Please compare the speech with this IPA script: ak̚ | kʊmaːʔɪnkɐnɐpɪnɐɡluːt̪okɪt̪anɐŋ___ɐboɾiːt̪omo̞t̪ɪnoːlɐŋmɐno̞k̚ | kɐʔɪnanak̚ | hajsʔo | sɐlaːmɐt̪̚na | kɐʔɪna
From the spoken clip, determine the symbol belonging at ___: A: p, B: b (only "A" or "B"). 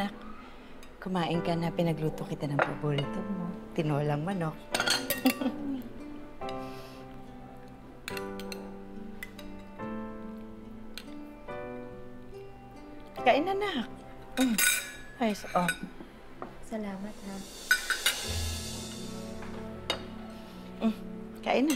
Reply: A